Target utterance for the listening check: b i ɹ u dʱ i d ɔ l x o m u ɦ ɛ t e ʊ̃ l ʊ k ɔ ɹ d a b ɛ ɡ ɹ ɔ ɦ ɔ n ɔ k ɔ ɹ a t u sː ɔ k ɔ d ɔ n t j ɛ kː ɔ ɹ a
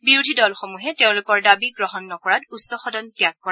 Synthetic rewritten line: b i ɹ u dʱ i d ɔ l x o m u ɦ ɛ t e ʊ̃ l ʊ k ɔ ɹ d a b i ɡ ɹ ɔ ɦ ɔ nː ɔ k ɔ ɹ a t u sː ɔ x ɔ d ɔ n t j a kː ɔ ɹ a